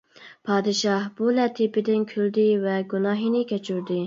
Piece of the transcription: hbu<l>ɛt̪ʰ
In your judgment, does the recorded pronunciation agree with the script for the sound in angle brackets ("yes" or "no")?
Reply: yes